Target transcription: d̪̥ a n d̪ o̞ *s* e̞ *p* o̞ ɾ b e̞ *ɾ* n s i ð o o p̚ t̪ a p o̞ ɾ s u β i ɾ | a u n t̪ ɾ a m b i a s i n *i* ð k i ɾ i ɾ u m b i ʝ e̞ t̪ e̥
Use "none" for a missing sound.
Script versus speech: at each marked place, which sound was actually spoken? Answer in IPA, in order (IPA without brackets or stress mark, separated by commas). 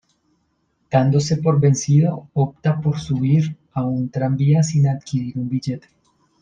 s, p, none, a